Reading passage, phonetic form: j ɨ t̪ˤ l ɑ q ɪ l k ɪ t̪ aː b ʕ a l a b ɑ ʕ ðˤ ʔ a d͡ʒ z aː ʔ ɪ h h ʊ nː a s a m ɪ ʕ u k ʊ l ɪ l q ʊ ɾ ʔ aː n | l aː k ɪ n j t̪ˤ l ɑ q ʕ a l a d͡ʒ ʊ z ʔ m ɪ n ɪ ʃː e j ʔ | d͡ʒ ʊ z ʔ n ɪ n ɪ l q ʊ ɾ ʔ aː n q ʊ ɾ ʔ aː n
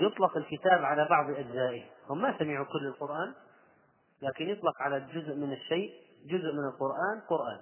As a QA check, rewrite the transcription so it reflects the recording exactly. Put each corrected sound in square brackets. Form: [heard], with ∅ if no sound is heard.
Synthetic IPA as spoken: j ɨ t̪ˤ l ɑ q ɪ l k ɪ t̪ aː b ʕ a l a b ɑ ʕ ðˤ ʔ a d͡ʒ z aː ʔ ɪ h h ʊ [mː] a s a m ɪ ʕ u k ʊ [lː] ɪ l q ʊ ɾ ʔ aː n | l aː k ɪ n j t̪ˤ l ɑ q ʕ a l a d͡ʒ ʊ z ʔ m ɪ n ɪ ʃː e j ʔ | d͡ʒ ʊ z ʔ [m] ɪ n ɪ l q ʊ ɾ ʔ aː n q ʊ ɾ ʔ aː n